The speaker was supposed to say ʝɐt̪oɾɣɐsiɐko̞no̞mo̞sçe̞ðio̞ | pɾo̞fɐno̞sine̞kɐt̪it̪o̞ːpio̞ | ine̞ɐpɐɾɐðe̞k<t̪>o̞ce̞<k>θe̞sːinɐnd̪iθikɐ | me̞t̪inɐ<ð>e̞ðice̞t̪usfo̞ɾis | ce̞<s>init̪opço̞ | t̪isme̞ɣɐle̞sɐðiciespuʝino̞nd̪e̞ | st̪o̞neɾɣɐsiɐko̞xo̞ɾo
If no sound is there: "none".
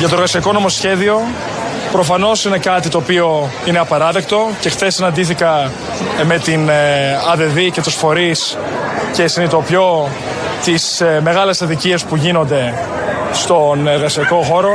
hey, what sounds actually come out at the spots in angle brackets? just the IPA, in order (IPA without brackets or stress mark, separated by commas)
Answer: t̪, x, ð, s